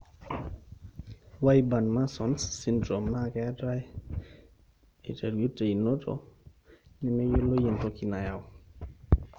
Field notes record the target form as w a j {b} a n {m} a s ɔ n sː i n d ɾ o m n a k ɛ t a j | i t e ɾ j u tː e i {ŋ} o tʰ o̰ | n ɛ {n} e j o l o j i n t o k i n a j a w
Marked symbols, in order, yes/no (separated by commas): yes, yes, no, no